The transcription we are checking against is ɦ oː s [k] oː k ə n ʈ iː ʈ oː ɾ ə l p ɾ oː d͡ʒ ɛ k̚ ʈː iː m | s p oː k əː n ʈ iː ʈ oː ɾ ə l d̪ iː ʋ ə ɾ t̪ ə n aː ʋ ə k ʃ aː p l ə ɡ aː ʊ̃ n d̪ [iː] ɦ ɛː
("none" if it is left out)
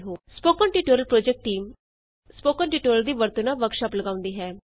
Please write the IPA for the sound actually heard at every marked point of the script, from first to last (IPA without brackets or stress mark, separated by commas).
p, iː